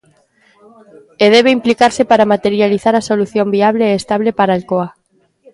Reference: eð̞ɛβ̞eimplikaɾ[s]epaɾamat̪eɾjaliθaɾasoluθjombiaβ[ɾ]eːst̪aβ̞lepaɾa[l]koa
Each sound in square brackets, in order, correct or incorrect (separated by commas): correct, incorrect, correct